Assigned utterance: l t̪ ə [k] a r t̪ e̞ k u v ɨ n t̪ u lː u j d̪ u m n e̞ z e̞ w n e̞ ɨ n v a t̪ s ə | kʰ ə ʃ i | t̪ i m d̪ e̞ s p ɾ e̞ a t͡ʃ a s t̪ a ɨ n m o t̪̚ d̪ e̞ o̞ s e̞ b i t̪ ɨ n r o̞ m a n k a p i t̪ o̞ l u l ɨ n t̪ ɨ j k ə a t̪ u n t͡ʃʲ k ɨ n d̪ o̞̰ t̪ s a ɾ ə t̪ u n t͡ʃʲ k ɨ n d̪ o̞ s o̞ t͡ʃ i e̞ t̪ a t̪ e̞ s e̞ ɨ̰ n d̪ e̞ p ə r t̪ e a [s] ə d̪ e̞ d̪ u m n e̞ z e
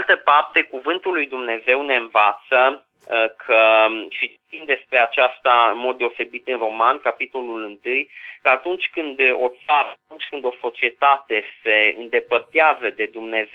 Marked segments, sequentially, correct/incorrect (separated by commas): incorrect, incorrect